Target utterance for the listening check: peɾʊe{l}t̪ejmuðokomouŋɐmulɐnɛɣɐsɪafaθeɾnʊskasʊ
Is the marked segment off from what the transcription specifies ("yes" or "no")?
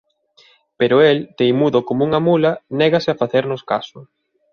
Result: no